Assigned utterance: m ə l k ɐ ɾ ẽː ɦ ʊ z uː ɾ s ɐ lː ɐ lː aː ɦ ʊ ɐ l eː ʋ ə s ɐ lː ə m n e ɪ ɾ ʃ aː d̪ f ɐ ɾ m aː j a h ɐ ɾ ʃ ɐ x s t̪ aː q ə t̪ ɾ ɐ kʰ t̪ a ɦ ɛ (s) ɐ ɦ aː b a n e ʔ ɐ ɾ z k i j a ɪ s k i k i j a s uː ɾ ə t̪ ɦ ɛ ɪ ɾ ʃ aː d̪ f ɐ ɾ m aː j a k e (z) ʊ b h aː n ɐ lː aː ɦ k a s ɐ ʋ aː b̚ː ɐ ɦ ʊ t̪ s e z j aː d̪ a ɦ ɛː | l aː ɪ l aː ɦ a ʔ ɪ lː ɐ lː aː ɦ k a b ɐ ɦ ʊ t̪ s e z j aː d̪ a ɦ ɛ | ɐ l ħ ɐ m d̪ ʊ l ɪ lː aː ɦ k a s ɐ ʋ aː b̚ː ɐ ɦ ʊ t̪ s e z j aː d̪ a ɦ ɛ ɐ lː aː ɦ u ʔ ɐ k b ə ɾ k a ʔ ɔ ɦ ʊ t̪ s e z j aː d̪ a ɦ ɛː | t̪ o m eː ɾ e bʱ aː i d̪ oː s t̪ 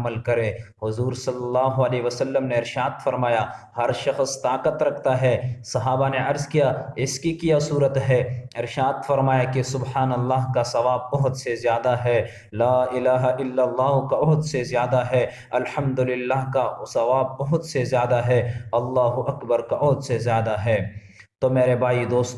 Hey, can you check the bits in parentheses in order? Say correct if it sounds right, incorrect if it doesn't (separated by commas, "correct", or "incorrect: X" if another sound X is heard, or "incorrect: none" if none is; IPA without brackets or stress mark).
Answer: correct, incorrect: s